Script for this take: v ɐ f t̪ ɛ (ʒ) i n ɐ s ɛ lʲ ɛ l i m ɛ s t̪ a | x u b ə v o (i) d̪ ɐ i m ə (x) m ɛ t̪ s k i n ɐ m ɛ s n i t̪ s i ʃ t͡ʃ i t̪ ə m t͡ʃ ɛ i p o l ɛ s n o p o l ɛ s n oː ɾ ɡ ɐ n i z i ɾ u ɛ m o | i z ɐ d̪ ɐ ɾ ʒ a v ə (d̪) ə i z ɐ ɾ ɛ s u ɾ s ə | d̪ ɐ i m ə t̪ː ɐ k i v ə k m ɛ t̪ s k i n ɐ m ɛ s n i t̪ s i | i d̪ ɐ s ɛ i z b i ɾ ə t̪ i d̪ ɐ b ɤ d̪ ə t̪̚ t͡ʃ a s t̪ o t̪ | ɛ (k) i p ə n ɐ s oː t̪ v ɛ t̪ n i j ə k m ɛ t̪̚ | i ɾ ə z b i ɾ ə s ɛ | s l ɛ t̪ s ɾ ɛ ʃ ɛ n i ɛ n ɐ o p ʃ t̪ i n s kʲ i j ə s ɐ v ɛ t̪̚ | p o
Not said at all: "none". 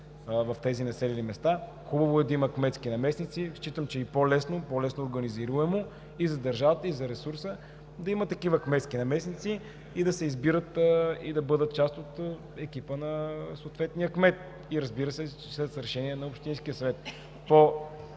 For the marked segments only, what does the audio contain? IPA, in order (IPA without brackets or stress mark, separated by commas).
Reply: z, ɛ, k, t̪, k